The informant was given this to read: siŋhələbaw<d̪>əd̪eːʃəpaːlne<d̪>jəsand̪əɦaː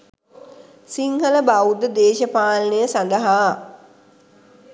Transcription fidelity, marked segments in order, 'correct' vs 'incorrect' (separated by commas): correct, incorrect